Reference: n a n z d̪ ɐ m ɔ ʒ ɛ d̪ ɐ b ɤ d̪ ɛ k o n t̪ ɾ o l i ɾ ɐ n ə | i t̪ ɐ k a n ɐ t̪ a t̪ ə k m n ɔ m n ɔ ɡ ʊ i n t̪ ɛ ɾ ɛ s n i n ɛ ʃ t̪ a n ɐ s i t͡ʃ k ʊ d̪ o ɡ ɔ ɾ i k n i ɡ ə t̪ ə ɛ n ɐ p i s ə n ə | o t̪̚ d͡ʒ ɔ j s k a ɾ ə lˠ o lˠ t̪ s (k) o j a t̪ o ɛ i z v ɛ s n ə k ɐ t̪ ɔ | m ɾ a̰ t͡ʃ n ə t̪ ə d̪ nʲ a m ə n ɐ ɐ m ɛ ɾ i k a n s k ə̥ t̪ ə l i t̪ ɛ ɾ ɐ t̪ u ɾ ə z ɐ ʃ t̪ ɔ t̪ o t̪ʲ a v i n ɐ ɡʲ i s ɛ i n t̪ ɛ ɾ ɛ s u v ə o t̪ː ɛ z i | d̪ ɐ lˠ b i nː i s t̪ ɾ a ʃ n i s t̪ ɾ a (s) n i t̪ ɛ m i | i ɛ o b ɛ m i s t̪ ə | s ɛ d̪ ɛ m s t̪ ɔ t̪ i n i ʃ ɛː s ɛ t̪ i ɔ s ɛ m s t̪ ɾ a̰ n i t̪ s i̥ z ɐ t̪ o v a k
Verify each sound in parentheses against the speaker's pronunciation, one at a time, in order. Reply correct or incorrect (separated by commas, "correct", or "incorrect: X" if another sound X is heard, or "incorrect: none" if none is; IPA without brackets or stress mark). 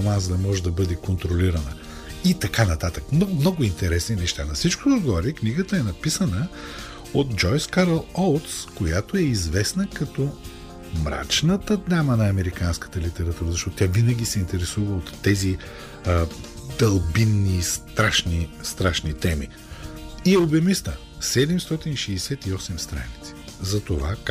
correct, incorrect: ʃ